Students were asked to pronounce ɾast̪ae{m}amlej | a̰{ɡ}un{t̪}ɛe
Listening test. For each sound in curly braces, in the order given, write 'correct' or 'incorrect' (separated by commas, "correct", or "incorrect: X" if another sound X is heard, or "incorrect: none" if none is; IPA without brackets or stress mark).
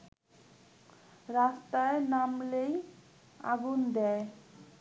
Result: incorrect: n, correct, incorrect: d̪